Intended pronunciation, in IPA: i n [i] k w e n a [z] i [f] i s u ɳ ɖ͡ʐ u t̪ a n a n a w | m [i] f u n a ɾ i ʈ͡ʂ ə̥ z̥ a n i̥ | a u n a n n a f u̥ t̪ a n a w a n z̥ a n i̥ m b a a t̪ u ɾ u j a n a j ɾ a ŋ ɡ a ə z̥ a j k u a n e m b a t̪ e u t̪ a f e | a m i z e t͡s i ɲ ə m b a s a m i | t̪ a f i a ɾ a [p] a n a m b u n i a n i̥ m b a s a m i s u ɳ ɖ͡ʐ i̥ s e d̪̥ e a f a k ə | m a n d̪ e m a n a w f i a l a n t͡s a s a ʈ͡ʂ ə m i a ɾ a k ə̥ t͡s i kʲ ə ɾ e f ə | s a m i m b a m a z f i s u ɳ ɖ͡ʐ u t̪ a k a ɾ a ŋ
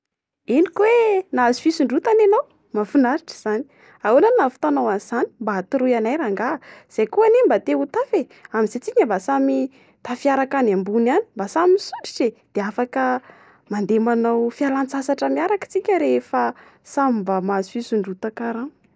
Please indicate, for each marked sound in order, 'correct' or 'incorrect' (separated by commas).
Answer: correct, correct, correct, incorrect, incorrect